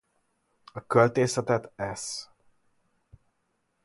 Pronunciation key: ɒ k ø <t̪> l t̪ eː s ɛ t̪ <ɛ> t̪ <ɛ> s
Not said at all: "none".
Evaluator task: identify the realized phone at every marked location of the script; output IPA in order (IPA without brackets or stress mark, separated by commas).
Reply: none, ɛ, ɛ